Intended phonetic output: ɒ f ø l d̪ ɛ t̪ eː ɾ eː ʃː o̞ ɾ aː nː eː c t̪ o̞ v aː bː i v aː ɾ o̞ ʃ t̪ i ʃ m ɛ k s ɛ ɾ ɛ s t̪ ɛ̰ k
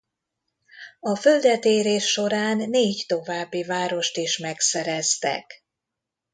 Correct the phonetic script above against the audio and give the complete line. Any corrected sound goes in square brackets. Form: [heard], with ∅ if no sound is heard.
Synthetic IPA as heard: ɒ f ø l d̪ ɛ t̪ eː ɾ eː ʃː o̞ ɾ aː nː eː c t̪ o̞ v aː bː i v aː ɾ o̞ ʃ t̪ i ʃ m ɛ k s ɛ ɾ ɛ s t̪ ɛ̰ k